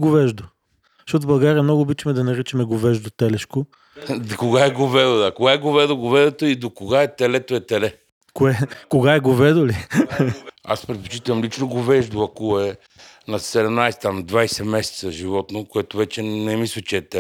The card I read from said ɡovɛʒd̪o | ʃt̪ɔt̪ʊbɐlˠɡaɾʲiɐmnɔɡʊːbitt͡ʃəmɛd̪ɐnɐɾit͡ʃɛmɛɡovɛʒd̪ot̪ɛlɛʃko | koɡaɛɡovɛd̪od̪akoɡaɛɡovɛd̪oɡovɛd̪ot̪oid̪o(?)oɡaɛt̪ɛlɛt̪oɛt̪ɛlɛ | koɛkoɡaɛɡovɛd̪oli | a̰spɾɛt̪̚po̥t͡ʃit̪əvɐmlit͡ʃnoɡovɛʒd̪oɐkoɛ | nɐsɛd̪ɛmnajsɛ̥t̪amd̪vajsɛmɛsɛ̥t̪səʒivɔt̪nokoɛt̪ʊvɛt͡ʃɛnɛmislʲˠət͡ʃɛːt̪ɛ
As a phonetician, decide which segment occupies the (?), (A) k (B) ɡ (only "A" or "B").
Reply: A